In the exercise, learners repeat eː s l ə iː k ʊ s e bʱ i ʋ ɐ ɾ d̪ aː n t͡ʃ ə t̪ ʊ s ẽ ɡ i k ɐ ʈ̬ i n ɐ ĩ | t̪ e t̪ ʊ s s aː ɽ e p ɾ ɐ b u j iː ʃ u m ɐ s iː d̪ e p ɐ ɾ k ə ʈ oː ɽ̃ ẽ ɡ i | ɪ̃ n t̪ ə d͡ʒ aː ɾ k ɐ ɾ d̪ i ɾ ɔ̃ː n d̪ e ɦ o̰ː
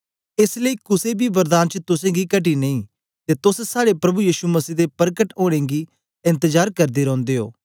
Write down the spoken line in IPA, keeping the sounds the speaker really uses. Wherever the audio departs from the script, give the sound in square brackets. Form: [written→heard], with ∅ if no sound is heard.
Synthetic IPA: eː s l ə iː k ʊ s e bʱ i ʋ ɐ ɾ d̪ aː n t͡ʃ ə t̪ ʊ s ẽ ɡ i k ɐ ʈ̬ i n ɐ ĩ | t̪ e t̪ ʊ s s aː ɽ e p ɾ ɐ b u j iː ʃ u m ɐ s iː d̪ e p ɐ ɾ k ə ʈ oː ɽ̃ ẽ ɡ i | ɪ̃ n t̪ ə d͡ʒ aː ɾ k ɐ ɾ d̪ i ɾ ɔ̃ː n d̪ e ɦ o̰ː